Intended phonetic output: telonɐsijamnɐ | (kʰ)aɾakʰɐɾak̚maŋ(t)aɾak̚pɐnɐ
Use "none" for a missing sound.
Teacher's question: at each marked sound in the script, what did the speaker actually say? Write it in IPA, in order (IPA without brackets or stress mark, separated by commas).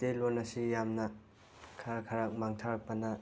kʰ, tʰ